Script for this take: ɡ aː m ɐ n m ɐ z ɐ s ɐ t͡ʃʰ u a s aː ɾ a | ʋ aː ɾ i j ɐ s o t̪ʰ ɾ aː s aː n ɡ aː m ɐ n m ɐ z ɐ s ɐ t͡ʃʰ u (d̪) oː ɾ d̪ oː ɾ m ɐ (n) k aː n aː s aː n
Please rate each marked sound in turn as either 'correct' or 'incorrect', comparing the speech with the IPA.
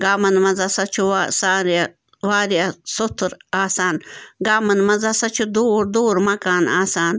correct, incorrect: none

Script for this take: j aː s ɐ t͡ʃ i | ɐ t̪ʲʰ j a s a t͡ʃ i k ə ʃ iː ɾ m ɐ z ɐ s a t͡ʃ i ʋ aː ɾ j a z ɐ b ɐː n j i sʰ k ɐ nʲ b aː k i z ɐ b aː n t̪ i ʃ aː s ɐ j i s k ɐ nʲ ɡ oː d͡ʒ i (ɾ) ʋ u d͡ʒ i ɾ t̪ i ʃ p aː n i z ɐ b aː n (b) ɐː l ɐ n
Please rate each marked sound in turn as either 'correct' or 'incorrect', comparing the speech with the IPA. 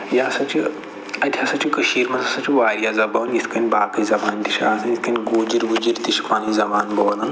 correct, correct

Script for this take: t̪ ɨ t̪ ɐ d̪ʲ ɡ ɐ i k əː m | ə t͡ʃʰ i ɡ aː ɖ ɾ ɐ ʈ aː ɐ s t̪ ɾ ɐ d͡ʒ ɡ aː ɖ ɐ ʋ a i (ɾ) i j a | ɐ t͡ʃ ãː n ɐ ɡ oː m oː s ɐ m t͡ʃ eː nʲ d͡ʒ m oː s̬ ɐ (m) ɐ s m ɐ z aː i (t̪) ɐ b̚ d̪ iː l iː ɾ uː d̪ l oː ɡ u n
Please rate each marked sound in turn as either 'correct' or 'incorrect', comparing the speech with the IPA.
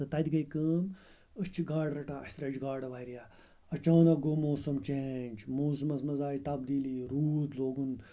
correct, correct, correct

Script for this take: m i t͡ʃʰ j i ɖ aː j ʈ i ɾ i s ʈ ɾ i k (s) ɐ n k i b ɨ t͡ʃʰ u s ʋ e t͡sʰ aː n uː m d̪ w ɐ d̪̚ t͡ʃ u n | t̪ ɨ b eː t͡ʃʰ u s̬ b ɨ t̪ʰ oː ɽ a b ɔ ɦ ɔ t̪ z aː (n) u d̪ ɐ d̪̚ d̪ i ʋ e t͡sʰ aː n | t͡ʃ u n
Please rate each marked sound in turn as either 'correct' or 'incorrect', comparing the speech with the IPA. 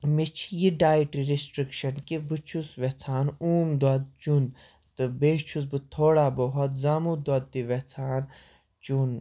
incorrect: ʃ, incorrect: m

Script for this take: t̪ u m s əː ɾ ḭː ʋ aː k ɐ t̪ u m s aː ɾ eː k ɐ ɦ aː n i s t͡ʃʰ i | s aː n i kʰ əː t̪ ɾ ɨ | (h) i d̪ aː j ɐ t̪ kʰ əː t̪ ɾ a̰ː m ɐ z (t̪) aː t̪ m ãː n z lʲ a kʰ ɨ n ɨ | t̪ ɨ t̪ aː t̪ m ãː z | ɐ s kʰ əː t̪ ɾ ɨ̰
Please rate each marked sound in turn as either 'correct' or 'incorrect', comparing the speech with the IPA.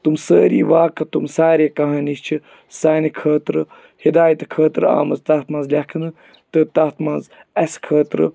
correct, correct

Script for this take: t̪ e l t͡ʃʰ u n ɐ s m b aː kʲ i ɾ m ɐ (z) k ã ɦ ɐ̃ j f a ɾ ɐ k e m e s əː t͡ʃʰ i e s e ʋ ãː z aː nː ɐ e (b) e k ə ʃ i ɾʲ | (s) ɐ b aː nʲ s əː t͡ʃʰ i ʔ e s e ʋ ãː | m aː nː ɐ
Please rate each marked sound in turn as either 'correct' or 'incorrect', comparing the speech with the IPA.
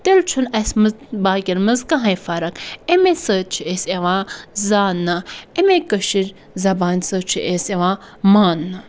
correct, incorrect: m, incorrect: z

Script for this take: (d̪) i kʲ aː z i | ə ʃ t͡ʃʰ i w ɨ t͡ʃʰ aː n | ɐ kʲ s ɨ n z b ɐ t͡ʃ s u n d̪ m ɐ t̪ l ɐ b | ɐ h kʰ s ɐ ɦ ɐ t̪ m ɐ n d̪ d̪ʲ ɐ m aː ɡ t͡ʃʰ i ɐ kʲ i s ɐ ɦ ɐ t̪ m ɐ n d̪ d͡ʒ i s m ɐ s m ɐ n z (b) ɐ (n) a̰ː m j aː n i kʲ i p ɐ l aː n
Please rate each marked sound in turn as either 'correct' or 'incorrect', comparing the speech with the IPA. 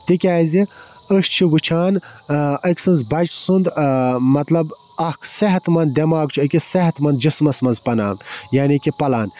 incorrect: t̪, incorrect: p, correct

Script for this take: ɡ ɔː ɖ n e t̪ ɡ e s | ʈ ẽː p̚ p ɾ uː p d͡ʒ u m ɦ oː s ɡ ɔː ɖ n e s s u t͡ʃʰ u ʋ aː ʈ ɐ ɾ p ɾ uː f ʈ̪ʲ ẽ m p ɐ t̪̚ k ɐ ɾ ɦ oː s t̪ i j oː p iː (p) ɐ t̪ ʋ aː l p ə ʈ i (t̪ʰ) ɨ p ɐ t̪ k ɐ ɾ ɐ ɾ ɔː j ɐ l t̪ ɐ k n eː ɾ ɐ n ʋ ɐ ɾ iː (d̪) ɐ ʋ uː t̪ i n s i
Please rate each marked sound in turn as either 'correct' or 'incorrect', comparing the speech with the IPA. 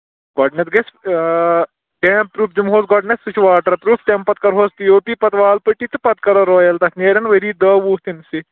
correct, incorrect: t̪, correct

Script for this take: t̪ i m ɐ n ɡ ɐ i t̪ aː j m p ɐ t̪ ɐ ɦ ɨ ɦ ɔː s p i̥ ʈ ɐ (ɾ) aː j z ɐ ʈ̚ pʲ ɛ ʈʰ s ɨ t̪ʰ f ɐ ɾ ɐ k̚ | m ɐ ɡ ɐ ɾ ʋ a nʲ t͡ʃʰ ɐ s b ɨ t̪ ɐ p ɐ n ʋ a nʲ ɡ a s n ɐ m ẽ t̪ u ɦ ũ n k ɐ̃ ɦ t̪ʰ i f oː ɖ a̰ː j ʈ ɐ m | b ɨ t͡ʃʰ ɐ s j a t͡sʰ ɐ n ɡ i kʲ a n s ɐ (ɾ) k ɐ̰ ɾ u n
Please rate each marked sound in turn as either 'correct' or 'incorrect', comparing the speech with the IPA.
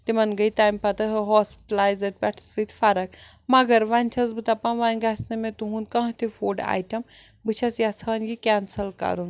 incorrect: l, incorrect: l

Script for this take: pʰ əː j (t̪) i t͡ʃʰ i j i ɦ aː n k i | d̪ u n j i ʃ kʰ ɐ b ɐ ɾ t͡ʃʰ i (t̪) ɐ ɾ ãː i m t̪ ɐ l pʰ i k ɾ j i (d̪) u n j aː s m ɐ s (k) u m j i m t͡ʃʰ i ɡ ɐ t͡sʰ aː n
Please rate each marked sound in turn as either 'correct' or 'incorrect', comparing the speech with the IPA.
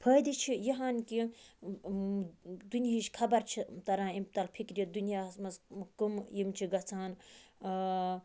incorrect: d̪, correct, correct, correct

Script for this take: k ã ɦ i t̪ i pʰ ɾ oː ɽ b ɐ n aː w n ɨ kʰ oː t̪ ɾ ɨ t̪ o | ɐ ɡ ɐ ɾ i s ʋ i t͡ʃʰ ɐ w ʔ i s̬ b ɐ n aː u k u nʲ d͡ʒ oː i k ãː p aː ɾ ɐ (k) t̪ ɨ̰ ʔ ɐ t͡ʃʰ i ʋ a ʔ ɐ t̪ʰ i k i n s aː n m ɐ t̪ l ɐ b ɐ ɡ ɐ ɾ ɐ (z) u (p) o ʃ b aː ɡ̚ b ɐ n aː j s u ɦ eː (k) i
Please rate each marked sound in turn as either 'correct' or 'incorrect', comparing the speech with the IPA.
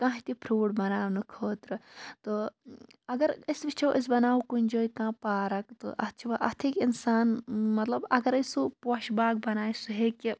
correct, incorrect: s, correct, correct

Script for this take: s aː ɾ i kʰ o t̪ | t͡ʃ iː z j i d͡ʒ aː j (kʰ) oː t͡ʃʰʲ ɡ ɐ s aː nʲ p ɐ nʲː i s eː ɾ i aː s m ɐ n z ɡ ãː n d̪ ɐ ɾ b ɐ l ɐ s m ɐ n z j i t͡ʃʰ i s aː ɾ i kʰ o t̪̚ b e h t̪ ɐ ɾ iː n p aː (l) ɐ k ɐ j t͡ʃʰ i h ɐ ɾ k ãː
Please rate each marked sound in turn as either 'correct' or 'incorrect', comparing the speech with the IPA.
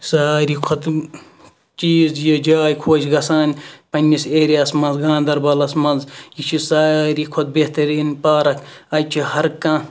correct, incorrect: ɾ

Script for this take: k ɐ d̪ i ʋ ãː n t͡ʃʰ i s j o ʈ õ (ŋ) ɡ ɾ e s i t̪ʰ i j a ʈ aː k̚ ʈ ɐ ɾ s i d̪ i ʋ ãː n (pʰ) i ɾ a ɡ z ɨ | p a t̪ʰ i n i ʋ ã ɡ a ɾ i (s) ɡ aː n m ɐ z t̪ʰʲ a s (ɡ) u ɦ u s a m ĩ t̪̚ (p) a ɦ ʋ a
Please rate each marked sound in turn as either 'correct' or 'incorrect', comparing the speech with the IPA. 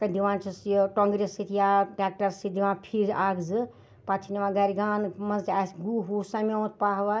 correct, correct, incorrect: none, correct, correct

